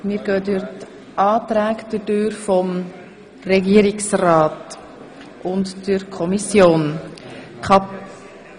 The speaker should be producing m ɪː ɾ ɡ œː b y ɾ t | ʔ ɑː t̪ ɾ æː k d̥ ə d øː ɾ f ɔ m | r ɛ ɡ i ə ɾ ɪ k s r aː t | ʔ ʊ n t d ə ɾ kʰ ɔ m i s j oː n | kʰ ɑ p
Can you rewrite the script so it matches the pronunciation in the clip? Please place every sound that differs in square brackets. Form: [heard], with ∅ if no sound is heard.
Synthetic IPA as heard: m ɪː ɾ ɡ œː [d] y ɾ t | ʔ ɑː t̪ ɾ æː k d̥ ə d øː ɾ f ɔ m | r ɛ ɡ i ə ɾ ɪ k s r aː t | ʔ ʊ n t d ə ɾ kʰ ɔ m i s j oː n | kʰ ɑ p